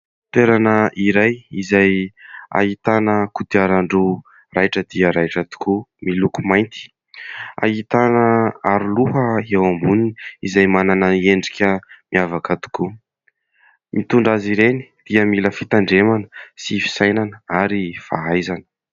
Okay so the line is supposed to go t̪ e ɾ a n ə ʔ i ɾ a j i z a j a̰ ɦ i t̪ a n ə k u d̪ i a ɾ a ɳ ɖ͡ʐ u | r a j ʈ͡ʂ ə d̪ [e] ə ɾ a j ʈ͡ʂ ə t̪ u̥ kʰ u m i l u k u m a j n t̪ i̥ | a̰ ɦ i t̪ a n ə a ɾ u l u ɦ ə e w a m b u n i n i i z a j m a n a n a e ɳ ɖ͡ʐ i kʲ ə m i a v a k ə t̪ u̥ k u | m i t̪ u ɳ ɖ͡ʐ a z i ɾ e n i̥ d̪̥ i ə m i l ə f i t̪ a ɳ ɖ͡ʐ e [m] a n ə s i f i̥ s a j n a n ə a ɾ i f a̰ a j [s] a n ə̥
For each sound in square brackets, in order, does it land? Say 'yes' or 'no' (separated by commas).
no, yes, no